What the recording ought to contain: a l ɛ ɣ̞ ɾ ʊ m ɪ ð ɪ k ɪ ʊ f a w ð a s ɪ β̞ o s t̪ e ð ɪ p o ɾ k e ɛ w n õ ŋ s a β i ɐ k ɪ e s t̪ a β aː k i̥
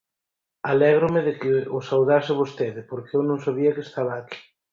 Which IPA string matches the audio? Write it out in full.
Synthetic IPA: a l ɛ ɣ̞ ɾ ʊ m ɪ ð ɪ k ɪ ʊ s a w ð a s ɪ β̞ o s t̪ e ð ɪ p o ɾ k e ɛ w n õ ŋ s a β i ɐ k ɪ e s t̪ a β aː k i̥